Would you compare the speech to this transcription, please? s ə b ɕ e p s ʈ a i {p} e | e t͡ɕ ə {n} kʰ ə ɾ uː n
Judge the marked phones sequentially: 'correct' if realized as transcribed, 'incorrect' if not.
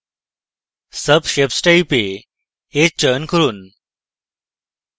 correct, correct

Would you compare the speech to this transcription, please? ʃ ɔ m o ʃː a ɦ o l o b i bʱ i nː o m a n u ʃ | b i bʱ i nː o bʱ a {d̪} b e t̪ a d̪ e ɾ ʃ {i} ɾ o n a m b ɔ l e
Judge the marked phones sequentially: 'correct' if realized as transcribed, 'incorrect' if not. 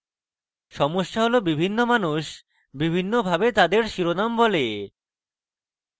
incorrect: none, correct

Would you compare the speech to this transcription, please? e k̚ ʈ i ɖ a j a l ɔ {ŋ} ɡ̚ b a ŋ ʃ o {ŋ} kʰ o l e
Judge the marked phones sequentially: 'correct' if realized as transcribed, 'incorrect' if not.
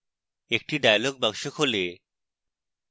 incorrect: none, incorrect: none

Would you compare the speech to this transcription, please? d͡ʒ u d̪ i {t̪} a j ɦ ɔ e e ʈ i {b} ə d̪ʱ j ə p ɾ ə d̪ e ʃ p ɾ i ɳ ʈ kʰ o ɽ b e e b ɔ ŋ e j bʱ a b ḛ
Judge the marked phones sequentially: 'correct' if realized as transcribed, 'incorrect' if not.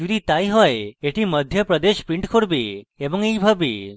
correct, incorrect: m

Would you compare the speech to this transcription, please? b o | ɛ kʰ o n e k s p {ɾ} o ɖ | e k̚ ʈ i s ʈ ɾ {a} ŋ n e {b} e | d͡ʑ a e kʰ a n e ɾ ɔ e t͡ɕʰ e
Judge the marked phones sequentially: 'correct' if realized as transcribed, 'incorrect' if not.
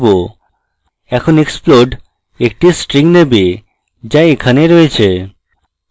incorrect: l, incorrect: i, correct

